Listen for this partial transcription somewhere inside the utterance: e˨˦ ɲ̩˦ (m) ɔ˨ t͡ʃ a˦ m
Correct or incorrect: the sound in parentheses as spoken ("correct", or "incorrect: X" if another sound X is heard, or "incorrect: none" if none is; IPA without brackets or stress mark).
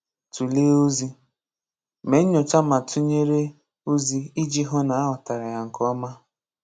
incorrect: ɲ